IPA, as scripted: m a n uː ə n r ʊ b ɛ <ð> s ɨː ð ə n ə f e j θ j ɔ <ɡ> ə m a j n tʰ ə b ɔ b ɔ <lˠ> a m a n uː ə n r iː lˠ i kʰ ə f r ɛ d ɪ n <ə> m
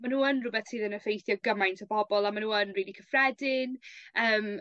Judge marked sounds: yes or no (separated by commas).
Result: no, yes, yes, no